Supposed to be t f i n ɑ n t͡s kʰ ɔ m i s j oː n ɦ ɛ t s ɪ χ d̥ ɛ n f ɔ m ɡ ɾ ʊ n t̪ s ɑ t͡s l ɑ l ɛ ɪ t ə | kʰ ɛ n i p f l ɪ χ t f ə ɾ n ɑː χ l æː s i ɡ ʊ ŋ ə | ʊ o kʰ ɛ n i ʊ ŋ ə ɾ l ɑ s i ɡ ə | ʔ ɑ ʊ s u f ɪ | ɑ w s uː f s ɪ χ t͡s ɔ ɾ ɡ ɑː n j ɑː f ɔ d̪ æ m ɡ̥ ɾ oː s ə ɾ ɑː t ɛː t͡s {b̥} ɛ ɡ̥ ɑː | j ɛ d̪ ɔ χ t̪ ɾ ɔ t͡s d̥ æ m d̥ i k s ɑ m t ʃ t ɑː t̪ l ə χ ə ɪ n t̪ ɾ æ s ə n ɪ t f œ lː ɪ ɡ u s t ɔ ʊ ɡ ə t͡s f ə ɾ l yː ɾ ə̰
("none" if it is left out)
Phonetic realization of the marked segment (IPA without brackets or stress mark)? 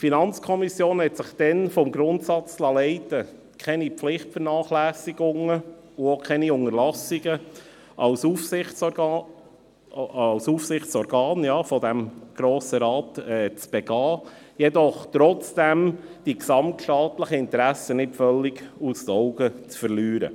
b̥